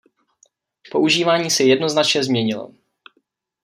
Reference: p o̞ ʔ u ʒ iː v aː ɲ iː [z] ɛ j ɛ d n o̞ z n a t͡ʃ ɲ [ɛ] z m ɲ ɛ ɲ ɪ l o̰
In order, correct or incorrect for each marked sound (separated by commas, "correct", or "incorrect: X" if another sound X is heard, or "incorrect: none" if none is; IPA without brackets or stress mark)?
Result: incorrect: s, correct